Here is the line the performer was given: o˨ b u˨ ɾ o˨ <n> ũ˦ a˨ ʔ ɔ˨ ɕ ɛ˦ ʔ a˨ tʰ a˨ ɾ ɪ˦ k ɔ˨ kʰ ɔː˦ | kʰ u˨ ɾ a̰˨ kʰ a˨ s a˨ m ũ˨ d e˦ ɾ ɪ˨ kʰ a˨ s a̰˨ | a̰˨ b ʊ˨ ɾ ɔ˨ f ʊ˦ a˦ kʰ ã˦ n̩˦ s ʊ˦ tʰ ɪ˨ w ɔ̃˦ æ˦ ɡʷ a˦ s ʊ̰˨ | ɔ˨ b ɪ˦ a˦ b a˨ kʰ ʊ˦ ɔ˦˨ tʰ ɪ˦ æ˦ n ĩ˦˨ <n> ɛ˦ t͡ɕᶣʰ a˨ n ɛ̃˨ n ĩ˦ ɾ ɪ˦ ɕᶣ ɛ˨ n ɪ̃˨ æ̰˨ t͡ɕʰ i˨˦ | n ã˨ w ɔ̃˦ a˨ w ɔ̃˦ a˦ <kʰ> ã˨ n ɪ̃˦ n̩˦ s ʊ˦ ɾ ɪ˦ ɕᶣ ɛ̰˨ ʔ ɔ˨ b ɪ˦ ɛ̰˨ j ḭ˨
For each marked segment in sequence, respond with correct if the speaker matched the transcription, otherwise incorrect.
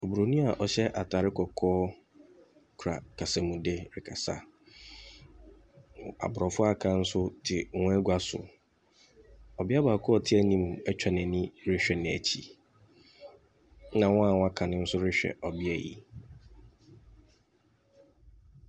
correct, incorrect: m, correct

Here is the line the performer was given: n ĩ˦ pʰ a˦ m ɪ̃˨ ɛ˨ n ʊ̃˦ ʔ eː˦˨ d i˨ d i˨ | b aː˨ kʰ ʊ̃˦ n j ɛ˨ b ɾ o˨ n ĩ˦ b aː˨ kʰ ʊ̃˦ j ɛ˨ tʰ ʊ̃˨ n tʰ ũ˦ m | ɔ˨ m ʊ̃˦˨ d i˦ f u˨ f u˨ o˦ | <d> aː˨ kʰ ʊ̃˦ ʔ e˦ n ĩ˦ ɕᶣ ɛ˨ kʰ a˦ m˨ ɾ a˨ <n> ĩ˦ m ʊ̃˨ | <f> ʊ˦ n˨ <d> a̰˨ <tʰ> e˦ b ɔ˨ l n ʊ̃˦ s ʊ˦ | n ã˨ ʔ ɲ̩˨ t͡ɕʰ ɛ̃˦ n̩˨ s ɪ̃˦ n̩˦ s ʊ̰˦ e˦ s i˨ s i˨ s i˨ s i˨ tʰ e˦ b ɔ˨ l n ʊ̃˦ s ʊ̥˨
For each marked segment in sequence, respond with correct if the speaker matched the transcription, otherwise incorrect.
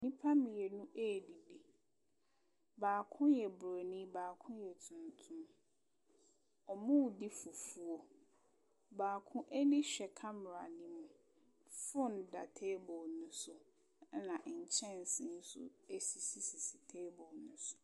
incorrect: b, correct, correct, correct, correct

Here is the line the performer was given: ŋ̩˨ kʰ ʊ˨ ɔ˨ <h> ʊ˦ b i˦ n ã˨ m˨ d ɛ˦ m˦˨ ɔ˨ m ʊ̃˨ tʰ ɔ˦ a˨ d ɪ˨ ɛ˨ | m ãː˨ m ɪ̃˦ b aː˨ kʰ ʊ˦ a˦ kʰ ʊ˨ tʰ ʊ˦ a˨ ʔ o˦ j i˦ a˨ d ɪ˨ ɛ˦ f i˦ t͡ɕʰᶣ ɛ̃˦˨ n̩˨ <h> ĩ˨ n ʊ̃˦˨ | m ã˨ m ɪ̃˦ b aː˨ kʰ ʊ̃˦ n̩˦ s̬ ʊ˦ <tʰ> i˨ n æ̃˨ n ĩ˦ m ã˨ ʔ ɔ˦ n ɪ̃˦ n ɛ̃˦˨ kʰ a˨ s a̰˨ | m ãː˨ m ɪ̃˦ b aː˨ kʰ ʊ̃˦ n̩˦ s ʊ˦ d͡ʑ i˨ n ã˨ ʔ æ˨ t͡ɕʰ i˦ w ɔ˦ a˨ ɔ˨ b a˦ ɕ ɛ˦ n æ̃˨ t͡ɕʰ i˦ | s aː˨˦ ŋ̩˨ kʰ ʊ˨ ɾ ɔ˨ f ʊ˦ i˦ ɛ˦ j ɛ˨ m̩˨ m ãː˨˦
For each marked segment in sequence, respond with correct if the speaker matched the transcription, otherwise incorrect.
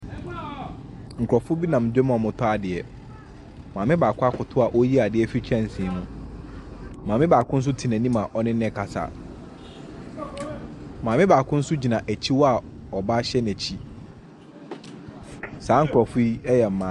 incorrect: f, incorrect: s, correct

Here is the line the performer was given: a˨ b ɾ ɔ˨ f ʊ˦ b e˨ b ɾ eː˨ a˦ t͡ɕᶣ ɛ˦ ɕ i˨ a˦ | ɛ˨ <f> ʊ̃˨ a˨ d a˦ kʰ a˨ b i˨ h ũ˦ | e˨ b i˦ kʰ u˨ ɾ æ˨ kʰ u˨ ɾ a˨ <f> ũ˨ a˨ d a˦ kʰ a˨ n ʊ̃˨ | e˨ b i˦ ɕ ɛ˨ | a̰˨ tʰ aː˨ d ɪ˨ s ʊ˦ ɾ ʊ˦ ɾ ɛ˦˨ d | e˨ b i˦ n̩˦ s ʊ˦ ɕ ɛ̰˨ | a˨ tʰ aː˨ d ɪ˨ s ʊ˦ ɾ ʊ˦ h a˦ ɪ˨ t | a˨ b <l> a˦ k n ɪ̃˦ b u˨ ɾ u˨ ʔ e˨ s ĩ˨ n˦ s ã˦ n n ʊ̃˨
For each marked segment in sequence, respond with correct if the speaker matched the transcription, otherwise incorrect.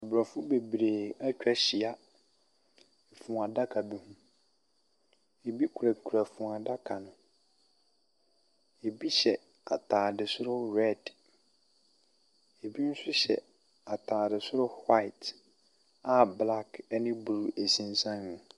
correct, correct, correct

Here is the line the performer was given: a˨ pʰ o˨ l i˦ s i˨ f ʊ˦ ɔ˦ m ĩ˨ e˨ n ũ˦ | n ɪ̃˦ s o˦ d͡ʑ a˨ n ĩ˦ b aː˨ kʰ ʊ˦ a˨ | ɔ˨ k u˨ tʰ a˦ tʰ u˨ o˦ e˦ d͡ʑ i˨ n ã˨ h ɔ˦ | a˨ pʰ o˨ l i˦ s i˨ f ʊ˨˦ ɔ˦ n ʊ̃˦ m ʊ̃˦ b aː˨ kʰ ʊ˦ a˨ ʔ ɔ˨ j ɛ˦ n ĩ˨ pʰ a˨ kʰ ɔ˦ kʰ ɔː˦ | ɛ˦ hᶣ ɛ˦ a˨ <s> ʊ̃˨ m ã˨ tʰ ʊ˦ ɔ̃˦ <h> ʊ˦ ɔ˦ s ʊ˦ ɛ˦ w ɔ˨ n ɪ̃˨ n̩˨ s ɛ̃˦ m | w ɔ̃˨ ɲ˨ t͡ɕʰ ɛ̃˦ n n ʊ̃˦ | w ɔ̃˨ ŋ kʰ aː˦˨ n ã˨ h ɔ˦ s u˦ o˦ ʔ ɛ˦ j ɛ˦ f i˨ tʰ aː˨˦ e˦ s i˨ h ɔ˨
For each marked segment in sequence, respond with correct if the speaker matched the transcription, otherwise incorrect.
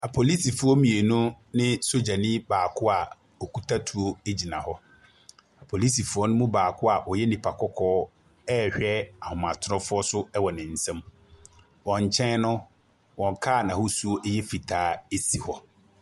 incorrect: h, incorrect: f

